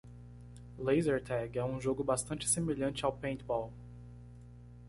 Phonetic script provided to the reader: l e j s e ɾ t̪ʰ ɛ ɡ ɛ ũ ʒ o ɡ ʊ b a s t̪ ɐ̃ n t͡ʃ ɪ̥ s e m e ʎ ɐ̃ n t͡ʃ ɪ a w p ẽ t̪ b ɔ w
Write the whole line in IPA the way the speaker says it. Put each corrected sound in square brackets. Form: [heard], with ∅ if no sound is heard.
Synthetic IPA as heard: l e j [z] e ɾ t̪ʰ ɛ ɡ ɛ ũ ʒ o ɡ ʊ b a s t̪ ɐ̃ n t͡ʃ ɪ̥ s e m e ʎ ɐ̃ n t͡ʃ ɪ a w p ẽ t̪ b ɔ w

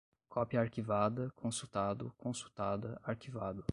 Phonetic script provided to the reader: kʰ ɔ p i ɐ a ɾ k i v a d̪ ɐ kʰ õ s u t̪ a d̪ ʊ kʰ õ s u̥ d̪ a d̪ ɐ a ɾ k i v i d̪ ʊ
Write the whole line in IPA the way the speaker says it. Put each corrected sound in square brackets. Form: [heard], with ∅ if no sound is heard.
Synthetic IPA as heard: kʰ ɔ p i ɐ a ɾ k i v a d̪ ɐ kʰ õ s u t̪ a d̪ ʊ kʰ õ s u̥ [t̪] a d̪ ɐ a ɾ k i v [a] d̪ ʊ

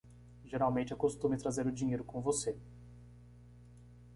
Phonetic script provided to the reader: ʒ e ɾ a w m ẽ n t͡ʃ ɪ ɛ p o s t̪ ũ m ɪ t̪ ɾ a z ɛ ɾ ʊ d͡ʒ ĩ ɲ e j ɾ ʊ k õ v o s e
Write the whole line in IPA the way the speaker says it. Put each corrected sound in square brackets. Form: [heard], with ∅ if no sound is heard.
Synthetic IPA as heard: ʒ e ɾ a w m ẽ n t͡ʃ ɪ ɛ [k] o s t̪ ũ m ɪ t̪ ɾ a z [e] ɾ ʊ d͡ʒ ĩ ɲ e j ɾ ʊ k õ v o s e

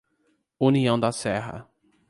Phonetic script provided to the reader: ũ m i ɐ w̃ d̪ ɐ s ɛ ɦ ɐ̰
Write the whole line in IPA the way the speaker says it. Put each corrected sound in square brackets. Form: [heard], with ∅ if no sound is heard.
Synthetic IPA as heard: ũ [n] i [ɐ̃] w̃ d̪ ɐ s ɛ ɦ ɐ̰

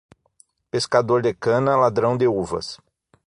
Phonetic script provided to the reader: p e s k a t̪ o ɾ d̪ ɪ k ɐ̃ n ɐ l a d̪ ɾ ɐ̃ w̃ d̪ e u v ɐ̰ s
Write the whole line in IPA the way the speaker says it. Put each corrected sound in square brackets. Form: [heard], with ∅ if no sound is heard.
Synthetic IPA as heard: p e s k a [d̪] o ɾ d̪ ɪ k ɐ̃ n ɐ l a d̪ ɾ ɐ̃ w̃ d̪ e u v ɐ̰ s

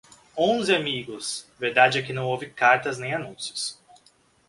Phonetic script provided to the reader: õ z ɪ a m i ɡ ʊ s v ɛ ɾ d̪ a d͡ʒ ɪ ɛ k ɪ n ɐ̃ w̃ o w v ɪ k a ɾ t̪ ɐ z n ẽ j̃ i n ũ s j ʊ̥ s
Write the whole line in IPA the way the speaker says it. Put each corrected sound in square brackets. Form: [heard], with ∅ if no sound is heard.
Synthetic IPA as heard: õ z ɪ a m i ɡ ʊ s v [e] ɾ d̪ a d͡ʒ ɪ ɛ k ɪ n ɐ̃ w̃ o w v ɪ k a ɾ t̪ ɐ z n ẽ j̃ [a] n ũ s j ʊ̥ s

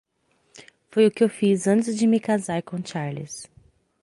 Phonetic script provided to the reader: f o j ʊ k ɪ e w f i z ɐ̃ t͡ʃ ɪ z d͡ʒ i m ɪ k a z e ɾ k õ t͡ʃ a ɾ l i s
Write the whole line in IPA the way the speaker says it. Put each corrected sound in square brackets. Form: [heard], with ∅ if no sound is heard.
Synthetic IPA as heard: f o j ʊ k ɪ e w f i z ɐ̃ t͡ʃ ɪ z d͡ʒ [ɪ] m ɪ k a z [a] ɾ k õ t͡ʃ a ɾ l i s

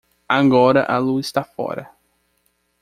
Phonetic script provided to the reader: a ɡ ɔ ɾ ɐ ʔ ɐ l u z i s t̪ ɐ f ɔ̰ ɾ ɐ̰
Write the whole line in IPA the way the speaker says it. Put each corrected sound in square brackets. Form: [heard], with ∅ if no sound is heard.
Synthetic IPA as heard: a ɡ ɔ ɾ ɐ ʔ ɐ l u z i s t̪ [a] f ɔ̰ ɾ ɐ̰

